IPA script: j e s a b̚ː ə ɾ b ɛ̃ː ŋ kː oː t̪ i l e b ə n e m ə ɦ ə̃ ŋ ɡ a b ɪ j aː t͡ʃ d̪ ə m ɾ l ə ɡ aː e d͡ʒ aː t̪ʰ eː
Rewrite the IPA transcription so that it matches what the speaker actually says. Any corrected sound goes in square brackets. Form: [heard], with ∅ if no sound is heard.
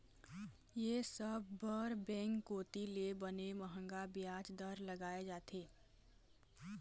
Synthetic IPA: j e s [ə] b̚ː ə ɾ b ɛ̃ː ŋ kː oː t̪ i l e b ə n e m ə ɦ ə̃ ŋ ɡ a b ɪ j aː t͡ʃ d̪ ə [∅] ɾ l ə ɡ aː e d͡ʒ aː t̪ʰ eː

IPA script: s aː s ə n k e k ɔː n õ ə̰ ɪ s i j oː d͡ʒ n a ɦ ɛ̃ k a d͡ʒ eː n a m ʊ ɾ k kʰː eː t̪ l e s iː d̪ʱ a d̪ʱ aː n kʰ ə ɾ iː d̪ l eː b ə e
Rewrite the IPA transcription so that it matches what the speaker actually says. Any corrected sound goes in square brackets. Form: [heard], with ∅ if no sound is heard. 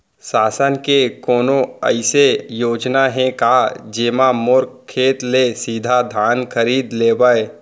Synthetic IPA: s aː s ə n k e k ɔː n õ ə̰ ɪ s [e] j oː d͡ʒ n a ɦ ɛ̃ k a d͡ʒ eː [m] a m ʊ ɾ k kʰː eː t̪ l e s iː d̪ʱ a d̪ʱ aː n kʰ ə ɾ iː d̪ l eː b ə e

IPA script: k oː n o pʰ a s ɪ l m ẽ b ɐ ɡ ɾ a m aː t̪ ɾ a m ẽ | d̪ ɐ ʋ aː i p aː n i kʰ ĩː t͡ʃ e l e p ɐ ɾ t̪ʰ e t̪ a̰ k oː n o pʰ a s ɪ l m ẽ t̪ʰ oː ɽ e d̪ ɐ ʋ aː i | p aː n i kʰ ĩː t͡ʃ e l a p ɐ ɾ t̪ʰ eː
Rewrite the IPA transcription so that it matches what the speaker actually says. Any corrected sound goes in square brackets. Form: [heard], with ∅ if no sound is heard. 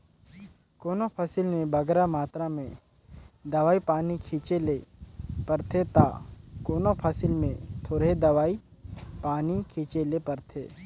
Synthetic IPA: k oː n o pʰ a s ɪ l m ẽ b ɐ ɡ ɾ a m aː t̪ ɾ a m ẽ | d̪ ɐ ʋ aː i p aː n i kʰ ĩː t͡ʃ e l e p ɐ ɾ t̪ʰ e t̪ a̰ k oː n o pʰ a s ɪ l m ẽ t̪ʰ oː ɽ e d̪ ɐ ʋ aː i | p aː n i kʰ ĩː t͡ʃ e l [e] p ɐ ɾ t̪ʰ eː

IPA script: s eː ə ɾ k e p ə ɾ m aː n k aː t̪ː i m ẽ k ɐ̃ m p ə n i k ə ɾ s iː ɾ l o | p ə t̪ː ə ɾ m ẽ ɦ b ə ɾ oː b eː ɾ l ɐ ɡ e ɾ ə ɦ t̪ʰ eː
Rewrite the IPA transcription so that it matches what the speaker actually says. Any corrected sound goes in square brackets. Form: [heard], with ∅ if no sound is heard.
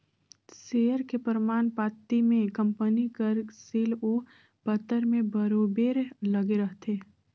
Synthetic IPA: s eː ə ɾ k e p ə ɾ m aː n [p] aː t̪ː i m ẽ k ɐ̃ m p ə n i k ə ɾ s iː [∅] l o | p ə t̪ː ə ɾ m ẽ [∅] b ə ɾ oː b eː ɾ l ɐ ɡ e ɾ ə ɦ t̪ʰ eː

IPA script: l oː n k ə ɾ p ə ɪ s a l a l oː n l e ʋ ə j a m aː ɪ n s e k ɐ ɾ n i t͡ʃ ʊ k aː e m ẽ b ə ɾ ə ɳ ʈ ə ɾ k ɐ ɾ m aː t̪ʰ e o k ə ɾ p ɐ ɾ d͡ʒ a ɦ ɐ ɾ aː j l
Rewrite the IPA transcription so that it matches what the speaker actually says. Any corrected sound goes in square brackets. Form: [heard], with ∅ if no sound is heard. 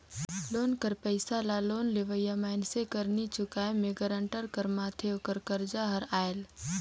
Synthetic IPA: l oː n k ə ɾ p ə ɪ s a l a l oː n l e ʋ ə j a m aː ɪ n s e k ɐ ɾ n i t͡ʃ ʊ k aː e m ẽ [ɡ] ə ɾ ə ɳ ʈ ə ɾ k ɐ ɾ m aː t̪ʰ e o k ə ɾ [k] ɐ ɾ d͡ʒ a ɦ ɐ ɾ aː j l

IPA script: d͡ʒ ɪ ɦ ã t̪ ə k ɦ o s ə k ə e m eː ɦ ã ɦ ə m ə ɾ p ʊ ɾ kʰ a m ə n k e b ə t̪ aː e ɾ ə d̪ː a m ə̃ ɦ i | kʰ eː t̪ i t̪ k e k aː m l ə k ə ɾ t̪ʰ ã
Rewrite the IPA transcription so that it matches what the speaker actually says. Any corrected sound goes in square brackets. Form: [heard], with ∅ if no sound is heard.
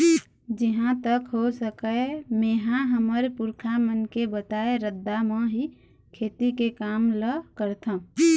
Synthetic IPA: d͡ʒ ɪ ɦ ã t̪ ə k ɦ o s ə k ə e m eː ɦ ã ɦ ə m ə ɾ p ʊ ɾ kʰ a m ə n k e b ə t̪ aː e ɾ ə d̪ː a m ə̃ ɦ i | kʰ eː t̪ i [∅] k e k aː m l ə k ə ɾ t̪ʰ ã

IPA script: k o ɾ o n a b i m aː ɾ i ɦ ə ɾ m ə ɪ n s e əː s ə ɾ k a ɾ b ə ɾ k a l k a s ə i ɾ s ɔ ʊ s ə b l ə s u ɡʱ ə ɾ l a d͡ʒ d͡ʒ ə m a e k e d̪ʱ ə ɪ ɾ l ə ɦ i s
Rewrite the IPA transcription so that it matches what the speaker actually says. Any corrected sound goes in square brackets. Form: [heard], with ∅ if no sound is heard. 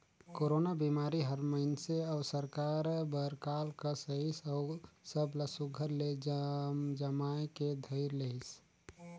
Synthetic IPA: k o ɾ o n a b i m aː ɾ i ɦ ə ɾ m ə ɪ n s e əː s ə ɾ k a ɾ b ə ɾ k a l k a s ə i [∅] s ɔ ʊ s ə b l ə s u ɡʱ ə ɾ l [e] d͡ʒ d͡ʒ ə m a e k e d̪ʱ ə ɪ ɾ l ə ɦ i s

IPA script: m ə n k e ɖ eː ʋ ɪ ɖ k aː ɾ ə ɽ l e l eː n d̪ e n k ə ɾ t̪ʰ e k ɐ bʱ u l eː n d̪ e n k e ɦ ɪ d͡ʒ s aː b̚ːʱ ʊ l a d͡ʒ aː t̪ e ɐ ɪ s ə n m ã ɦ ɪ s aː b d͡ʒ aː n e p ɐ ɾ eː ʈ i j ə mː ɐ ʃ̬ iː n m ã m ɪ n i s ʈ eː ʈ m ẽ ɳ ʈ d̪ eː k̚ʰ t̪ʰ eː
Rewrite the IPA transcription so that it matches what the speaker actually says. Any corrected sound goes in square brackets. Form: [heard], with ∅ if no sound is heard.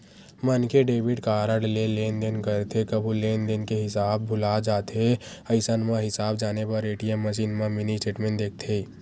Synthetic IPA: m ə n k e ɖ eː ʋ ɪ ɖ k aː ɾ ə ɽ l e l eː n d̪ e n k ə ɾ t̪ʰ e k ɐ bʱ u l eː n d̪ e n k e ɦ ɪ [∅] s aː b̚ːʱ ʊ l a d͡ʒ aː t̪ e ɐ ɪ s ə n m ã ɦ ɪ s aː b d͡ʒ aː n e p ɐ ɾ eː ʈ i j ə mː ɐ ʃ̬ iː n m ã m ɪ n i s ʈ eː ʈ m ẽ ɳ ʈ d̪ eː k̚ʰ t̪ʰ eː

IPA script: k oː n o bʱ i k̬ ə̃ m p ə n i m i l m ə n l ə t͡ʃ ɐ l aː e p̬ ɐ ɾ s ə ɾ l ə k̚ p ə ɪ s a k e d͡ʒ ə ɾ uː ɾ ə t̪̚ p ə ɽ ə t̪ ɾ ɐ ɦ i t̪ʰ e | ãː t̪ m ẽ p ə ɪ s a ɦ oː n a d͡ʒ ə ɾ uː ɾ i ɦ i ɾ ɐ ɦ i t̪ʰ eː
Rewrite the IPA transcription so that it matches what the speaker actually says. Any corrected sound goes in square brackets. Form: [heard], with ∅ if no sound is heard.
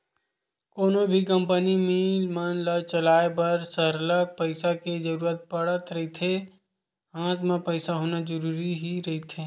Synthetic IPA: k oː n o bʱ i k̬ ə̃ m p ə n i m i l m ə n l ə t͡ʃ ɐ l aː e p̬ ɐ ɾ s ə ɾ l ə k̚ p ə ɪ s a k e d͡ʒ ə ɾ uː ɾ ə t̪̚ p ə ɽ ə t̪ ɾ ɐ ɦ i t̪ʰ e | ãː t̪ m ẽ p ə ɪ s a ɦ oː n a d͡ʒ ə ɾ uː ɾ i ɦ i ɾ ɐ ɦ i t̪ʰ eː

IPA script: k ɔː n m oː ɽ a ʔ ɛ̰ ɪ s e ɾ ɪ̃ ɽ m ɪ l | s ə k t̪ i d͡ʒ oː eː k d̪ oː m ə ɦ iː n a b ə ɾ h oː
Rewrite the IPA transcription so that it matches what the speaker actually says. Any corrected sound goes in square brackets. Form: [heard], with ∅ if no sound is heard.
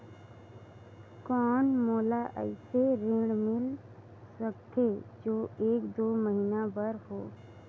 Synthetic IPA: k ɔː n m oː [l] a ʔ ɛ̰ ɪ s e ɾ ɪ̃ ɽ m ɪ l | s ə k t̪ [e] d͡ʒ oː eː k d̪ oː m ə ɦ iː n a b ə ɾ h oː

